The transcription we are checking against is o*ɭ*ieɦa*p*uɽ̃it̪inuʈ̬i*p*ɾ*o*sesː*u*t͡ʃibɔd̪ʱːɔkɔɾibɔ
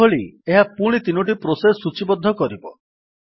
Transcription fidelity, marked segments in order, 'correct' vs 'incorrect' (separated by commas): correct, correct, correct, correct, correct